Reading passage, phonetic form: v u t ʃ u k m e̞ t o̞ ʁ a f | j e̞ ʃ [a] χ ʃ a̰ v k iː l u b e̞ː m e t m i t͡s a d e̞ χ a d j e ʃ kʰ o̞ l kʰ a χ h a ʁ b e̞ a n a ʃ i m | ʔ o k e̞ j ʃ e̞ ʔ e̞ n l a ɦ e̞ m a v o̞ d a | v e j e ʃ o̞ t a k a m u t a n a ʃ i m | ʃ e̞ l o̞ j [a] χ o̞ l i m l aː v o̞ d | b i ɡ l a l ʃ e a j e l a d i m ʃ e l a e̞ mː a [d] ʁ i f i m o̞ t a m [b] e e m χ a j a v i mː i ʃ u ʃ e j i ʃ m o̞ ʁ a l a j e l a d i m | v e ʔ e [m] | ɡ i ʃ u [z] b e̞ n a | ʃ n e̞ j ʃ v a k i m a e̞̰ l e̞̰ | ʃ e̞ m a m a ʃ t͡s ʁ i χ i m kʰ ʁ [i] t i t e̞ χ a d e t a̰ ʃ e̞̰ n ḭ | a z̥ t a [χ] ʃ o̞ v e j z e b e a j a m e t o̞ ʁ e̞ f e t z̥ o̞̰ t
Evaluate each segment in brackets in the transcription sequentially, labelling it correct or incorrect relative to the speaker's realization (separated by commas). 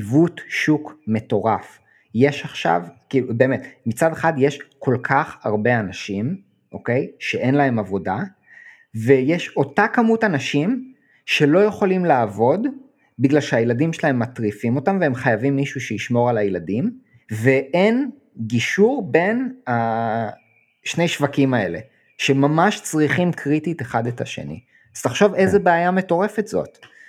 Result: correct, incorrect, incorrect, incorrect, incorrect, incorrect, correct, correct